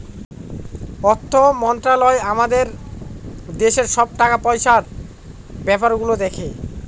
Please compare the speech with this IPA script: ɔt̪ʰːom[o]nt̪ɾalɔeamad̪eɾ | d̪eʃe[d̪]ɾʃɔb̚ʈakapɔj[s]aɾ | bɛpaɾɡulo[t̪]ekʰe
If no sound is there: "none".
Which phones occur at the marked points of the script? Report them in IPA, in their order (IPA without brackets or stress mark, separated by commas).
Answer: ɔ, none, ʃ, d̪